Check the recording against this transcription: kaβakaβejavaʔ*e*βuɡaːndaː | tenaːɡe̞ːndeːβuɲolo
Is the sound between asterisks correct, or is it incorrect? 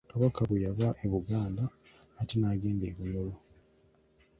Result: correct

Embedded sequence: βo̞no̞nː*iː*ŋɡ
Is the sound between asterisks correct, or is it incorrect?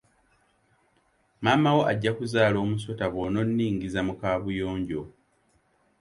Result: correct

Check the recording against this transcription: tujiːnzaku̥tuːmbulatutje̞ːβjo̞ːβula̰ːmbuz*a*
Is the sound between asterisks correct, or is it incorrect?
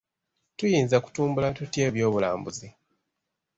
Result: incorrect: i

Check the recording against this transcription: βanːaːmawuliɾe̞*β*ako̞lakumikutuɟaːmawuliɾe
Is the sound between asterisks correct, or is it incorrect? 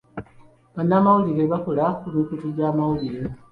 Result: correct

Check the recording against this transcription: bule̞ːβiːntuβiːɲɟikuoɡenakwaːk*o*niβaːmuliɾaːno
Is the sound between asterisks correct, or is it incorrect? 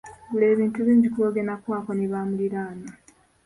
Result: correct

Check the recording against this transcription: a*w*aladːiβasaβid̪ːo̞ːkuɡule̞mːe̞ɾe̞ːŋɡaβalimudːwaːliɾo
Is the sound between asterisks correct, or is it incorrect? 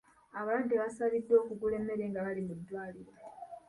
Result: incorrect: β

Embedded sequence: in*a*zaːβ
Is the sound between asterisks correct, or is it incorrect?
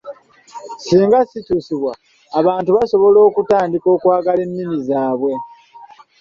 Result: incorrect: i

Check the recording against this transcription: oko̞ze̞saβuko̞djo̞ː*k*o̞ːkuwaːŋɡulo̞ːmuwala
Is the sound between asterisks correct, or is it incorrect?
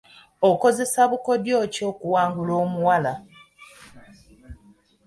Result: incorrect: c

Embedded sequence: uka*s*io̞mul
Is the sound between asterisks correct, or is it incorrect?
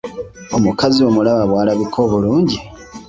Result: incorrect: z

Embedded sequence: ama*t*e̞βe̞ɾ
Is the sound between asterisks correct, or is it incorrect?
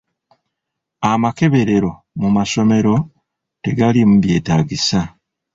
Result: incorrect: k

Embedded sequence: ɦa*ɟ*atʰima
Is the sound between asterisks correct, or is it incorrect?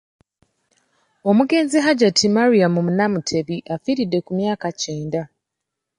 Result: correct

